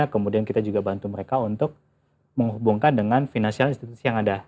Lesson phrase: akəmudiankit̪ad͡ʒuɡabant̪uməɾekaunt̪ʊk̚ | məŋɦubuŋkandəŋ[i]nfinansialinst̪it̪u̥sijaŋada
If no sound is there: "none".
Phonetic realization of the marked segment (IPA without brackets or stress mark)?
a